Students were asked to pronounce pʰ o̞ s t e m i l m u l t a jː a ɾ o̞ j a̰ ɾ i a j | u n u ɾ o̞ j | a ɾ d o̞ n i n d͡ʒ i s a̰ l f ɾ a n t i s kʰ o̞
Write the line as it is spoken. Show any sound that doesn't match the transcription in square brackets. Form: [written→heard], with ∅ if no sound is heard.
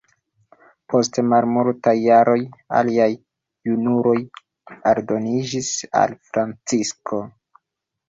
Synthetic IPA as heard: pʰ o̞ s t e m [i→a] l m u l t a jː a ɾ o̞ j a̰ [ɾ→l] i a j | u n u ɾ o̞ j | a ɾ d o̞ n i [n→∅] d͡ʒ i s a̰ l f ɾ a n [t→t͡s] i s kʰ o̞